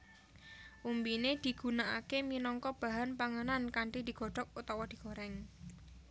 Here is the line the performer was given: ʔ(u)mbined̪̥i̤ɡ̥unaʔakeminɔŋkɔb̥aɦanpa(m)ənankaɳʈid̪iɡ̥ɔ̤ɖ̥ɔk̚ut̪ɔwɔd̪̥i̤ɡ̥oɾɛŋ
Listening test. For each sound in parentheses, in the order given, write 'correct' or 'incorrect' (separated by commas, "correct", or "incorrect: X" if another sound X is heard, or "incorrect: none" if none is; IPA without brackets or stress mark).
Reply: correct, incorrect: ŋ